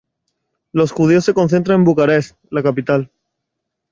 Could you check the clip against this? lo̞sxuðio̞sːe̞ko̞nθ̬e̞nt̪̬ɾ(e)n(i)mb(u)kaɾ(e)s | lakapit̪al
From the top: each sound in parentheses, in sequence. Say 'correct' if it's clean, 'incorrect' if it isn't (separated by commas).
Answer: incorrect, incorrect, correct, correct